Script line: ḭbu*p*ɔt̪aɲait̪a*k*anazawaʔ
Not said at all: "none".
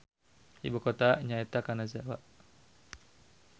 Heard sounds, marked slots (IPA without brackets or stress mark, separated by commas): k, k